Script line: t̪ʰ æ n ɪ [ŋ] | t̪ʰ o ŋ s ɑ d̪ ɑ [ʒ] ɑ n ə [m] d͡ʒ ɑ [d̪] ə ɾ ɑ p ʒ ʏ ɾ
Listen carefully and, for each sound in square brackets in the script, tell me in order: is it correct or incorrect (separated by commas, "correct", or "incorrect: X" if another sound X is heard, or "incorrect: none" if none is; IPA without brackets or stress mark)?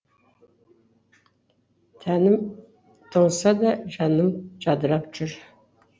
incorrect: m, correct, correct, correct